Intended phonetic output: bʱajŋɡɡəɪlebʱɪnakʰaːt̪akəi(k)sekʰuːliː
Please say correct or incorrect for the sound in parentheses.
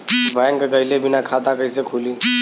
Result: incorrect